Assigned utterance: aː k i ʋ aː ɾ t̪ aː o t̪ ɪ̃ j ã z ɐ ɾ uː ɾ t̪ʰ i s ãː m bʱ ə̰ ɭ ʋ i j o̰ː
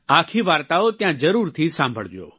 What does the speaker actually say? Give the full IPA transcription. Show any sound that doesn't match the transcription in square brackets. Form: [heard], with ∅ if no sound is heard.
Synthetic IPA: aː [kʰ] i ʋ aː ɾ t̪ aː o t̪ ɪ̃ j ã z ɐ ɾ uː ɾ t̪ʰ i s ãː m bʱ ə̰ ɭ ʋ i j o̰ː